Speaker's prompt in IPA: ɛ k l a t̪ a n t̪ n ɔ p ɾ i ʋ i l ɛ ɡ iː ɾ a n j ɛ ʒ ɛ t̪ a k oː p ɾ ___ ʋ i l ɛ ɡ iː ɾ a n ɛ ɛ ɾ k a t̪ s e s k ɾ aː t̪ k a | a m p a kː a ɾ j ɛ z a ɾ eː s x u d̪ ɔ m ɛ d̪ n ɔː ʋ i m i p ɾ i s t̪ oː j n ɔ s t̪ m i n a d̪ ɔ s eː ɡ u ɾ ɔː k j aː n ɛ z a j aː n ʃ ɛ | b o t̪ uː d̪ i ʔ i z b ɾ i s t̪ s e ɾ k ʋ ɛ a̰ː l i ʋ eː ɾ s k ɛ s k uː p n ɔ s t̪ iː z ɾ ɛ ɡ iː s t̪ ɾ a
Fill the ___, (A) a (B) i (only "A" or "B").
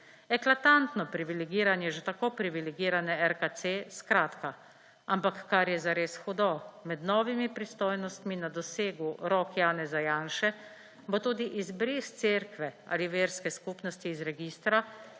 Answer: B